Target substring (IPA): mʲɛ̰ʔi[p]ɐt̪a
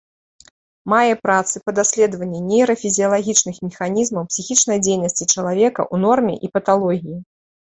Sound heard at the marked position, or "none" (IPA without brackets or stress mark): p